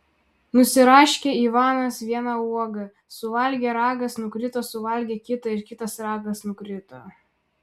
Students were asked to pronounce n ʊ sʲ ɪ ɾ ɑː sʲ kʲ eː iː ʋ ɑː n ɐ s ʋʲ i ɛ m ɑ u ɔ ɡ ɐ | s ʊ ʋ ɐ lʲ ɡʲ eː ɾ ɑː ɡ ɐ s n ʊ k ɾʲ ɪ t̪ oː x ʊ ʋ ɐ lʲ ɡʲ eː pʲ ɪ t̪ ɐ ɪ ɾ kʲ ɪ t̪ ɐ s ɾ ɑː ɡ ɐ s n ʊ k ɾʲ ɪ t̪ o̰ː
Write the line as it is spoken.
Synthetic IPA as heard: n ʊ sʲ ɪ ɾ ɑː ʃʲ kʲ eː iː ʋ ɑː n ɐ s ʋʲ i ɛ n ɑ u ɔ ɡ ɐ | s ʊ ʋ ɐ lʲ ɡʲ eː ɾ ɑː ɡ ɐ s n ʊ k ɾʲ ɪ t̪ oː s ʊ ʋ ɐ lʲ ɡʲ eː kʲ ɪ t̪ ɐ ɪ ɾ kʲ ɪ t̪ ɐ s ɾ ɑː ɡ ɐ s n ʊ k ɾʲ ɪ t̪ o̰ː